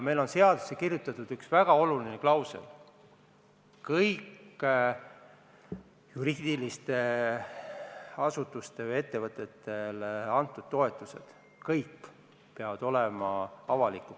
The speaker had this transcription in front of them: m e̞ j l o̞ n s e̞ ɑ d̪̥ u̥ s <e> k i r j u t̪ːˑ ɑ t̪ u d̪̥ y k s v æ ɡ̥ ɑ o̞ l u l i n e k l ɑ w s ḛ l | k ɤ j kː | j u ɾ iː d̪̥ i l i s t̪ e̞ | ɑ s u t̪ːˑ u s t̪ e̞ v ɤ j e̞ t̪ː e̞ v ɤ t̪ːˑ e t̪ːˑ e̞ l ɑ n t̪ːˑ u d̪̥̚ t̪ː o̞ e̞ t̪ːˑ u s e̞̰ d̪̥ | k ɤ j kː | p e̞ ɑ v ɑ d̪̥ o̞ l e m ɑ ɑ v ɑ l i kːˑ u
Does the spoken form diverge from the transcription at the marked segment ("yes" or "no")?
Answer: no